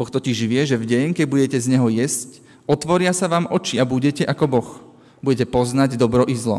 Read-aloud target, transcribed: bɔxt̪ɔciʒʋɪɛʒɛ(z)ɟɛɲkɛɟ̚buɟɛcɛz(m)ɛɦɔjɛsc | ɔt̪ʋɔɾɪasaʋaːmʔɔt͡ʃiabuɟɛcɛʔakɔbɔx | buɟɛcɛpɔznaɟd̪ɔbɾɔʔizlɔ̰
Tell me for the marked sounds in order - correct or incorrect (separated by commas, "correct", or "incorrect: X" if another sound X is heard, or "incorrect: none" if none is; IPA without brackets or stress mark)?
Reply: incorrect: v, incorrect: ɲ